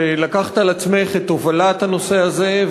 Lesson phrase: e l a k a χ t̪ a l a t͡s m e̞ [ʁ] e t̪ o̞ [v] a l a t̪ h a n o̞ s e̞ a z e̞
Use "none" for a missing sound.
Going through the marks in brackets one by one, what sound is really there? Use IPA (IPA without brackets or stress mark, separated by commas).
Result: χ, v